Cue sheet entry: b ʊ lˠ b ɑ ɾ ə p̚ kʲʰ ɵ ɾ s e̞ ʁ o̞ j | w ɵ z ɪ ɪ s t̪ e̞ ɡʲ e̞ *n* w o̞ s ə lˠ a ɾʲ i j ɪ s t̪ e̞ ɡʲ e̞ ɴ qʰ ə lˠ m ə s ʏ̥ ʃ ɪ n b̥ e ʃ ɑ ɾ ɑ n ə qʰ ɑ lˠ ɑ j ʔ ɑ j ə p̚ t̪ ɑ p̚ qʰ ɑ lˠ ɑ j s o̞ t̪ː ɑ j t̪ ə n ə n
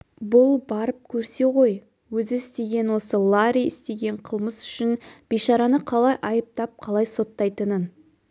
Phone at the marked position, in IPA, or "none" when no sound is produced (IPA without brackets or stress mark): n